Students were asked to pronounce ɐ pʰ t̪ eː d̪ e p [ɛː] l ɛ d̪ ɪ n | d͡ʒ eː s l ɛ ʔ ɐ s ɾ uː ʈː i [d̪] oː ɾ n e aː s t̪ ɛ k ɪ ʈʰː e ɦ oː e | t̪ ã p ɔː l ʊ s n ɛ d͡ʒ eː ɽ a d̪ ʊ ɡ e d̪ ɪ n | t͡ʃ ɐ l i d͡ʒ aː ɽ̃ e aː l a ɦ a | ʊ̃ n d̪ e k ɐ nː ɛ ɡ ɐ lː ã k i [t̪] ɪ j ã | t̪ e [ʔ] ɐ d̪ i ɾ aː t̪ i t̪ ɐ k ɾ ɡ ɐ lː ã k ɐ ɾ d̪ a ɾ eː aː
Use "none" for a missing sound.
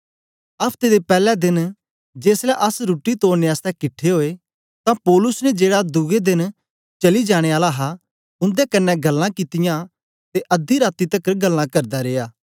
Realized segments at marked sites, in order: ɛː, t̪, t̪, ʔ

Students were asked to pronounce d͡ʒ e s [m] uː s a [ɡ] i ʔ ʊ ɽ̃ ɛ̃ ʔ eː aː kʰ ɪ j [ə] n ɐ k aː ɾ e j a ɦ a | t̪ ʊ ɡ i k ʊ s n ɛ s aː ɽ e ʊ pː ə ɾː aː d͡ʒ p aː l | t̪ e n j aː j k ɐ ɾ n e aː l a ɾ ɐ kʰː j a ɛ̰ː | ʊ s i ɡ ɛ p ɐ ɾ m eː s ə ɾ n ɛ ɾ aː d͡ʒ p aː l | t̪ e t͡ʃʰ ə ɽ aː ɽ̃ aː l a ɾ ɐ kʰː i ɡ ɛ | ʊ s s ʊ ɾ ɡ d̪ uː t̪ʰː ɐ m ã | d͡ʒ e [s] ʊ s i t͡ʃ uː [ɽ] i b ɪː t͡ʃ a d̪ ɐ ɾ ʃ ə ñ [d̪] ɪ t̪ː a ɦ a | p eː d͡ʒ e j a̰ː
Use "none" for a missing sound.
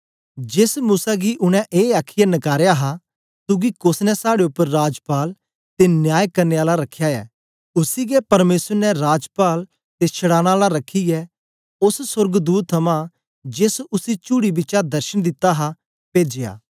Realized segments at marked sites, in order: m, ɡ, a, s, ɽ, d̪

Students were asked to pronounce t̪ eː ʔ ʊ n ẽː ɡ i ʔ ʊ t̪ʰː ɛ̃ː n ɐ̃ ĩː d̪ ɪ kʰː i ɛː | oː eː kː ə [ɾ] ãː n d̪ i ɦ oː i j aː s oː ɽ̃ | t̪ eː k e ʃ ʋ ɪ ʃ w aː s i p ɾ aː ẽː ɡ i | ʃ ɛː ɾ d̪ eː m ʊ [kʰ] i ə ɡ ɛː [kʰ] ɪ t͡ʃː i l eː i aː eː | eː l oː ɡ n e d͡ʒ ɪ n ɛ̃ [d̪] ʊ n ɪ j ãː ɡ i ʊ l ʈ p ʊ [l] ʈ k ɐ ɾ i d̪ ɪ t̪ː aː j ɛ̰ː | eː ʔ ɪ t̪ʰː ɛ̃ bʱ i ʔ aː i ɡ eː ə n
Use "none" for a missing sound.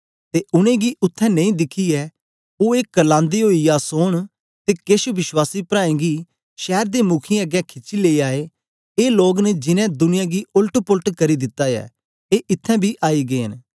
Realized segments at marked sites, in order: l, kʰ, kʰ, d̪, l

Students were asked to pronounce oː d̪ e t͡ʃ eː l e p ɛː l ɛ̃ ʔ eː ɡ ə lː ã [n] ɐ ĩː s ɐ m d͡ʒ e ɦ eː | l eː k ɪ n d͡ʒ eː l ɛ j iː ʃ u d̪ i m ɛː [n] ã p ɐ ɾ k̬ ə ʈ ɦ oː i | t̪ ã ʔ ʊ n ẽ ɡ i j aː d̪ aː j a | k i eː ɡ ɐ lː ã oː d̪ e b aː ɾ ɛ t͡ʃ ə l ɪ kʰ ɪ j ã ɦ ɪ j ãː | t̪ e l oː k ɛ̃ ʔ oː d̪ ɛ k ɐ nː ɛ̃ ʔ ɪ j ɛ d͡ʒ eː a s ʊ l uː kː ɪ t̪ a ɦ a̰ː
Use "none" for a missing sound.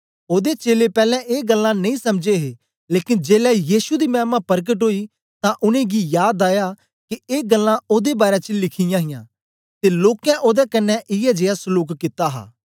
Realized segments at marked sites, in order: n, m

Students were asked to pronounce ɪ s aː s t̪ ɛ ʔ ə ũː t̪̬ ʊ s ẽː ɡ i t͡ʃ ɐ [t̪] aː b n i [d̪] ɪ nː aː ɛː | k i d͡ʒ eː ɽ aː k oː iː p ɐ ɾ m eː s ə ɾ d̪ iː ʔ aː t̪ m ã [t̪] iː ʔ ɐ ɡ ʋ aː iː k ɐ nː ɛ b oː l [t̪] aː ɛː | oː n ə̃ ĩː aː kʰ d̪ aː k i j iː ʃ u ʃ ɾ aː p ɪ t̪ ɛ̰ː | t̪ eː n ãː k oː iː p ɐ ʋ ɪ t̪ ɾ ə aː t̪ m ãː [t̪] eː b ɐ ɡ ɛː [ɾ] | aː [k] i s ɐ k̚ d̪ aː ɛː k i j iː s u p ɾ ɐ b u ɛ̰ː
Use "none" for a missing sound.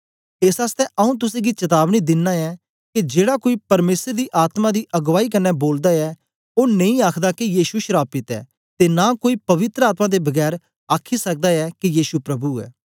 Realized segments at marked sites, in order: t̪, d̪, d̪, d̪, d̪, ɾ, kʰ

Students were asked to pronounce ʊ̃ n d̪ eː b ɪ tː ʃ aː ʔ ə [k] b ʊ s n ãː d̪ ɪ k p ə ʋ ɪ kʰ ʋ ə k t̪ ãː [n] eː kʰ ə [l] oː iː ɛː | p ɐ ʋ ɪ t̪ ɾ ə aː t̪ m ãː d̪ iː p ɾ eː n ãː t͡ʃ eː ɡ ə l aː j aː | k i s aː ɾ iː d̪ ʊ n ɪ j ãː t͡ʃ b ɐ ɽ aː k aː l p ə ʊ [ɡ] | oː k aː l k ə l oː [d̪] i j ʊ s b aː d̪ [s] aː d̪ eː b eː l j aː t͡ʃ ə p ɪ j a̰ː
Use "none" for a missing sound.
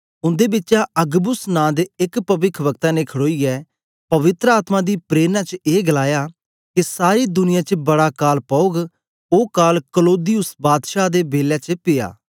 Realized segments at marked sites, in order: ɡ, n, ɽ, ɡ, d̪, ʃ

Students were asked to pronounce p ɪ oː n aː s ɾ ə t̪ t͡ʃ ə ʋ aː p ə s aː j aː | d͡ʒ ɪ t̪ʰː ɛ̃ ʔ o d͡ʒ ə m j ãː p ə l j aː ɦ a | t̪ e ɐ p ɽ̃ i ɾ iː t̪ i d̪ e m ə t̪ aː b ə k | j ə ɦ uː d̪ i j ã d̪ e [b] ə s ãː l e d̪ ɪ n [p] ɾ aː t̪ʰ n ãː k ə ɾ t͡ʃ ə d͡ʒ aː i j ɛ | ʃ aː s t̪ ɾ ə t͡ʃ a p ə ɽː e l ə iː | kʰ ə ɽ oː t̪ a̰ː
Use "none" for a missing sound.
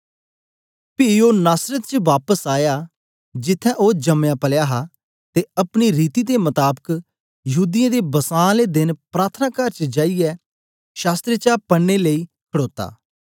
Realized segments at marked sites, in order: b, p

